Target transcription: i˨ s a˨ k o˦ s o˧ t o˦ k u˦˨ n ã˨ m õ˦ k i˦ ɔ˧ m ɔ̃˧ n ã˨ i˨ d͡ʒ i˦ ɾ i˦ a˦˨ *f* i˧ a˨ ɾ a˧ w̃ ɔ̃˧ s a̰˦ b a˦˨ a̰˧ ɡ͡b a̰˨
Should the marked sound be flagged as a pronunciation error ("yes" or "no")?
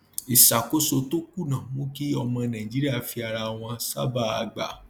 no